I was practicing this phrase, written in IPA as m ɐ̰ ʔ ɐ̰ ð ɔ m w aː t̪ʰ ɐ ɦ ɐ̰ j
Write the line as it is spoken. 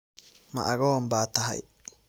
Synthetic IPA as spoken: m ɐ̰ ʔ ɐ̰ ɣ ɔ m b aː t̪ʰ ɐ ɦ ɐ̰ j